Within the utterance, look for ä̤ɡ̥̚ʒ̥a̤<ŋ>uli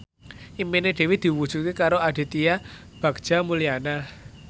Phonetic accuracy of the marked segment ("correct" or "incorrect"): incorrect